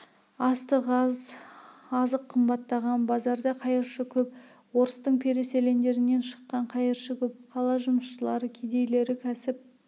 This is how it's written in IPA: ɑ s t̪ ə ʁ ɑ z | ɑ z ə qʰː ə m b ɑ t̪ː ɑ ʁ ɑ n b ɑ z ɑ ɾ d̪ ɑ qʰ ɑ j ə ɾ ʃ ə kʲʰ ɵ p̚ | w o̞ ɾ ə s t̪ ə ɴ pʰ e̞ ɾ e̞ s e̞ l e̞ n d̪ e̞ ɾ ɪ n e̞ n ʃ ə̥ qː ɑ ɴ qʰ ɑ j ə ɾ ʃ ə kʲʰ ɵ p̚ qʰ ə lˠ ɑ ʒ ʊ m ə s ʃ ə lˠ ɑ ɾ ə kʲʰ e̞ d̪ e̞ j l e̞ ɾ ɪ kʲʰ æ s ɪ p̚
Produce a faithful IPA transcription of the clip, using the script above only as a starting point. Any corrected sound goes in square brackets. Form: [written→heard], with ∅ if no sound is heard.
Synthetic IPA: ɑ s t̪ ə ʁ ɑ z | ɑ z ə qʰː ə m b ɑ t̪ː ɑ ʁ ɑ n b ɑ z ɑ ɾ d̪ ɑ qʰ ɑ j ə ɾ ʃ ə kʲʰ ɵ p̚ | w o̞ ɾ ə s t̪ ə ɴ pʰ e̞ ɾ e̞ s e̞ l e̞ n d̪ e̞ ɾ ɪ n e̞ n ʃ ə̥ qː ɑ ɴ qʰ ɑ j ə ɾ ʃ ə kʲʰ ɵ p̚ qʰ [ə→ɑ] lˠ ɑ ʒ ʊ m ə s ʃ ə lˠ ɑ ɾ ə kʲʰ e̞ d̪ e̞ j l e̞ ɾ ɪ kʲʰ æ s ɪ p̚